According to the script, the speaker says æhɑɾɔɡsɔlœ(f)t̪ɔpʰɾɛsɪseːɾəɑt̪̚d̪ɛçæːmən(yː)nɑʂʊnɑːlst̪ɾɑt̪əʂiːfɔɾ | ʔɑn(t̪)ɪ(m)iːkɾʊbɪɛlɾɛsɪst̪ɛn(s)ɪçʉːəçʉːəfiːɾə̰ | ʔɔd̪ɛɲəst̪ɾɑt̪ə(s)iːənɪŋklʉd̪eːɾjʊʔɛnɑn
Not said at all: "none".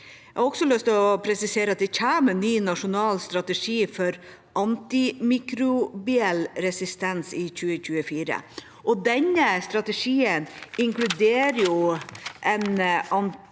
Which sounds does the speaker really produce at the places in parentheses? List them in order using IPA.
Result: s, yː, t̪, m, s, ʂ

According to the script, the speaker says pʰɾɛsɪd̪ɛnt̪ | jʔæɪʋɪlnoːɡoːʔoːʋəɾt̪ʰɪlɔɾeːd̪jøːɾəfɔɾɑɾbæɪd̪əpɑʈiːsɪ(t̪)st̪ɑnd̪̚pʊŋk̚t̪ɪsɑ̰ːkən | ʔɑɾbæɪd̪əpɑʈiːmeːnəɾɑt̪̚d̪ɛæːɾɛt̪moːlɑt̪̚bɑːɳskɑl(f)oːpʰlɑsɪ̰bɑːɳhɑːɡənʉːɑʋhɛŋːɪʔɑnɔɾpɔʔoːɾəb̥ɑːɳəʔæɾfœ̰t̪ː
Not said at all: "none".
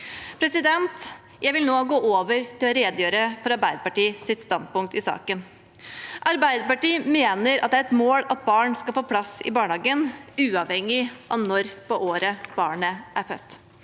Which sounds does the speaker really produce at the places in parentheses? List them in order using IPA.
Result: t̪, f

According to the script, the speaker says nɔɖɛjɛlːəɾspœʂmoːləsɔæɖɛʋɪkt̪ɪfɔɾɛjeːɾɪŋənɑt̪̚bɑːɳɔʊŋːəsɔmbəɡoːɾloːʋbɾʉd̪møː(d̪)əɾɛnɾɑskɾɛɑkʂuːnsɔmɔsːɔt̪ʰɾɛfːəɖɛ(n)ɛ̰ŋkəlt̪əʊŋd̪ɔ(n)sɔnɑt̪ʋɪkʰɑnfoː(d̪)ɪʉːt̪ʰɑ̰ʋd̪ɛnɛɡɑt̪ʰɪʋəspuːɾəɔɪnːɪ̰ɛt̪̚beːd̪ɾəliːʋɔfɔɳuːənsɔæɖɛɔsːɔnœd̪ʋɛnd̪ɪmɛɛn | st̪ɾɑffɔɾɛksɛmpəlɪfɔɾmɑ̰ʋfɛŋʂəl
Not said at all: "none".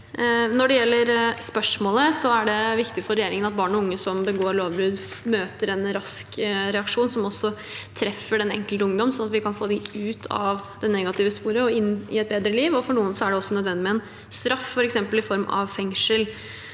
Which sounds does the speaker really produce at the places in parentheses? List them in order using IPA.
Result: t̪, n, m, d̪

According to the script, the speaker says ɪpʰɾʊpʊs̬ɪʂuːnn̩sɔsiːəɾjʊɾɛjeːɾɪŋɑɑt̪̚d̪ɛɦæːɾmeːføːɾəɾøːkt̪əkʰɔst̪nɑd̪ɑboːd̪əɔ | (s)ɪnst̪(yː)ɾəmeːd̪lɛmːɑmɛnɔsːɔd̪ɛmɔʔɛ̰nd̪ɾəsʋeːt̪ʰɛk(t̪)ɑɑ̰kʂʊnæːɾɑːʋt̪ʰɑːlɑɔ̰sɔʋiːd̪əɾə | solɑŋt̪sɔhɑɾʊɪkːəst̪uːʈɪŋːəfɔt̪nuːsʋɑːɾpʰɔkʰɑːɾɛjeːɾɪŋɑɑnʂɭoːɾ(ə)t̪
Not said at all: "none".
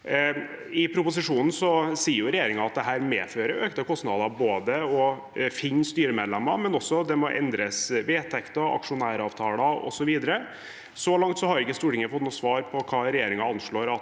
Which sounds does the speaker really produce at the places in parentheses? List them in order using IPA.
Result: f, yː, t̪, ɑ

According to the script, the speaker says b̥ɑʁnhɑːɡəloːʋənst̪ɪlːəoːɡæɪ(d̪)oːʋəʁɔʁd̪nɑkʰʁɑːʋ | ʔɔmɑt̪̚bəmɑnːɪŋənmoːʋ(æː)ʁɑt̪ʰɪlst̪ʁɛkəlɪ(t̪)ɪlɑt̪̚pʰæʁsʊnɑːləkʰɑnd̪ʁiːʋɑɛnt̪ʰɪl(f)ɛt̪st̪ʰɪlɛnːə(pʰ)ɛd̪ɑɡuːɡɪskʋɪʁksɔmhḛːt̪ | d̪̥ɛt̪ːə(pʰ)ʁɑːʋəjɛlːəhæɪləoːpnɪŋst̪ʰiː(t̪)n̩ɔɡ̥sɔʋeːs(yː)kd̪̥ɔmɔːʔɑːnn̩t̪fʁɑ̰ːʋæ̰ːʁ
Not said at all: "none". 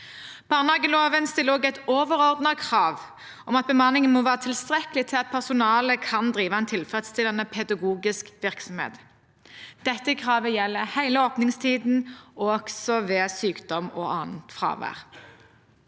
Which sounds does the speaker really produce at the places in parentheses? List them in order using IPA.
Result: t̪, æː, t̪ʰ, f, pʰ, kʰ, d̪, yː

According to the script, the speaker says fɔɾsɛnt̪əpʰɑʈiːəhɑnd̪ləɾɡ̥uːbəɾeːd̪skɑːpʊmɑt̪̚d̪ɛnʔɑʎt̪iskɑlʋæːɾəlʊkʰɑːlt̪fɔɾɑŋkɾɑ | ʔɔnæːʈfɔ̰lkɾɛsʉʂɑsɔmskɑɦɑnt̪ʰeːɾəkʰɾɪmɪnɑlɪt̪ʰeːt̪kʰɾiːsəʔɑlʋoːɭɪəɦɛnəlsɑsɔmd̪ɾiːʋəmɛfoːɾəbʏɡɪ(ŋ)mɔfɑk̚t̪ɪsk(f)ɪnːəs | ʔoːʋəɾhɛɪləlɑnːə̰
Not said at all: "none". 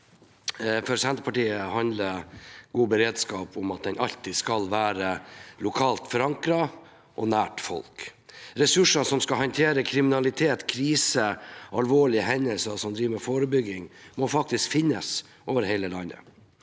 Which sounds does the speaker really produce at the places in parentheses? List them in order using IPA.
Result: ŋ, f

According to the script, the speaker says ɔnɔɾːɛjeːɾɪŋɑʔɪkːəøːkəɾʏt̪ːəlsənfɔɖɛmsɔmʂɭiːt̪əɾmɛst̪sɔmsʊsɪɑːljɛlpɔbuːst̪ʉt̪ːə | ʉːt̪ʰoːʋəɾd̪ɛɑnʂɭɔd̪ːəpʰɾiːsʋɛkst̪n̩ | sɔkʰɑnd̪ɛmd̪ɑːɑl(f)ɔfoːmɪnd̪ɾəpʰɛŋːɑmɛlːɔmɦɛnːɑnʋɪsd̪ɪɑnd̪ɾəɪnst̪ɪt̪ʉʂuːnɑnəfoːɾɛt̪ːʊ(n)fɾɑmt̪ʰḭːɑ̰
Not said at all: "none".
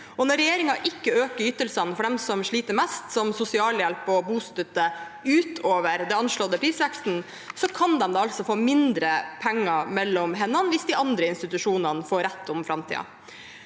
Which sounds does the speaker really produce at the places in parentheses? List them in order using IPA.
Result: s, m

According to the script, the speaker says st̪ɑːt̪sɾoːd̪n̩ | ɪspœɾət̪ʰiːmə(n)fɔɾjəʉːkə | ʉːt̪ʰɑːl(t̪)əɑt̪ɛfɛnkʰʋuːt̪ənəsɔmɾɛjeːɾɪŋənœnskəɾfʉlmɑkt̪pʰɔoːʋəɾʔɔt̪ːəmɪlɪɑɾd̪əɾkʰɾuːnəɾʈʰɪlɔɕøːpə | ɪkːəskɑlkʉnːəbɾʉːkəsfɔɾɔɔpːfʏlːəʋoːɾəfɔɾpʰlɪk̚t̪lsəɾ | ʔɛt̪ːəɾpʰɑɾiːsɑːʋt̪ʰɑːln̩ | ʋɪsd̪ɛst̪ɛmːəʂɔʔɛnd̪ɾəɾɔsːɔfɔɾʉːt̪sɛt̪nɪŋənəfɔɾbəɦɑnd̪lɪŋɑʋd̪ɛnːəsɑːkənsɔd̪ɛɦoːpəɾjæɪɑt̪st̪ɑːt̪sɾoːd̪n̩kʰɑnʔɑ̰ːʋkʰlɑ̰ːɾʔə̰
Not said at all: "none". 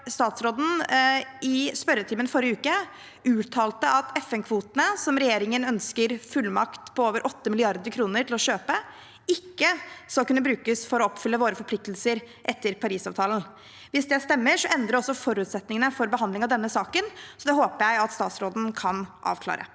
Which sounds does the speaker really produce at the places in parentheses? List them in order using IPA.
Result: n, t̪

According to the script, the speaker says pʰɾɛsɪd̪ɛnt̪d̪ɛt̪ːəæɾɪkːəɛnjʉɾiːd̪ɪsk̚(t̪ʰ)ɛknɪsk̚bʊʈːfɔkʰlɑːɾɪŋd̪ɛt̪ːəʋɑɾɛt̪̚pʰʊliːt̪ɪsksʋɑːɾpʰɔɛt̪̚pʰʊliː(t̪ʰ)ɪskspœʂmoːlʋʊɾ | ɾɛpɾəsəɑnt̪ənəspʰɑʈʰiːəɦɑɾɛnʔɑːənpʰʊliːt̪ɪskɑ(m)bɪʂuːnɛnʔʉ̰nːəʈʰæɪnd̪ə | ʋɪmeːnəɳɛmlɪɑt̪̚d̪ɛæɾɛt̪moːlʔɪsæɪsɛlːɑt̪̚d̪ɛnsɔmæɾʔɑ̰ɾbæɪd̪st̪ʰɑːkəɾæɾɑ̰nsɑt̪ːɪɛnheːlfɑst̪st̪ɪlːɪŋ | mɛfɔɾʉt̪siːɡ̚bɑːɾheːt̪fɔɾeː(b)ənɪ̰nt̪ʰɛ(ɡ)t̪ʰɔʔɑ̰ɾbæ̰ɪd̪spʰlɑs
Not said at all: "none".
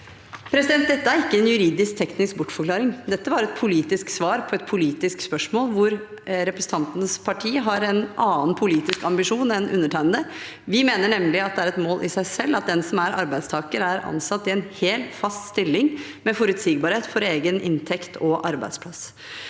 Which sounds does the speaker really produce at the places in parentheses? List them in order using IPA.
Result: t̪ʰ, t̪, m, ɡ, k

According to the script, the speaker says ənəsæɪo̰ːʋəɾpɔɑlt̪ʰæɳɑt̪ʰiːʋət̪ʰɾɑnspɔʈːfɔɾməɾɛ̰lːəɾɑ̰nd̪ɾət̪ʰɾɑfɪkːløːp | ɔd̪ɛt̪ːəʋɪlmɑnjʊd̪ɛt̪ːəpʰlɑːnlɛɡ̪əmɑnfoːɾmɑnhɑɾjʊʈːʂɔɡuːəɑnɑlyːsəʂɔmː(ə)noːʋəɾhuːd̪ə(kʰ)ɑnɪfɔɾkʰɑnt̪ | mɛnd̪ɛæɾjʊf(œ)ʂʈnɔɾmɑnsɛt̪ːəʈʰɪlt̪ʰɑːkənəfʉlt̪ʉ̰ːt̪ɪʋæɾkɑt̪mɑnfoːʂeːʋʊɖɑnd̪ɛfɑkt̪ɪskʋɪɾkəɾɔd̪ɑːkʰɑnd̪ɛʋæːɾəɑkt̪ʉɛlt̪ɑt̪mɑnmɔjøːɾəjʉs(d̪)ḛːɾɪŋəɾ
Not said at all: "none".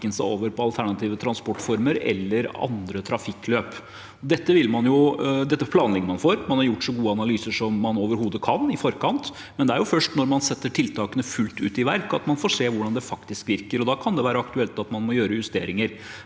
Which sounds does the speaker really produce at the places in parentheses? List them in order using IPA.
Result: ɑ, kʰ, œ, t̪

